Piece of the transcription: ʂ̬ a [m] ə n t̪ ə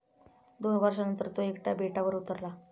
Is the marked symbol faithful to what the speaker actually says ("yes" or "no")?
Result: no